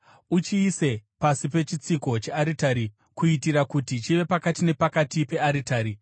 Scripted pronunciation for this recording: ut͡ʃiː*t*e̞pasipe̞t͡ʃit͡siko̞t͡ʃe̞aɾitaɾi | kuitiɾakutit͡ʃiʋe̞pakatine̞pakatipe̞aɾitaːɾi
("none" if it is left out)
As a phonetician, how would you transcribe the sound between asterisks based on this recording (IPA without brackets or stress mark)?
s